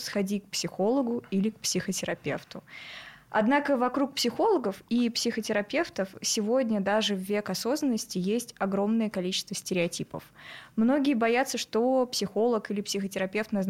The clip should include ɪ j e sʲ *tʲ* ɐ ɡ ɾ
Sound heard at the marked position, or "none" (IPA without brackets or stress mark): tʲ